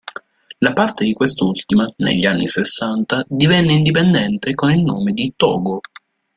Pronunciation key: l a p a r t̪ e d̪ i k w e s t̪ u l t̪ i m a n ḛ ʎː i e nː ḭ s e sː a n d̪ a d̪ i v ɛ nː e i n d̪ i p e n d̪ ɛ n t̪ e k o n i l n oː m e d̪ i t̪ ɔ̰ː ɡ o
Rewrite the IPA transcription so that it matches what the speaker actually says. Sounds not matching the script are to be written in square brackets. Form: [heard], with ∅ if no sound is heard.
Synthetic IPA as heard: l a p a r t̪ e d̪ i k w e s t̪ u l t̪ i m a n ḛ ʎː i [a] nː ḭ s e sː a n [t̪] a d̪ i v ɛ nː e i n d̪ i p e n d̪ ɛ n t̪ e k o n i l n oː m e d̪ i t̪ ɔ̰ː ɡ o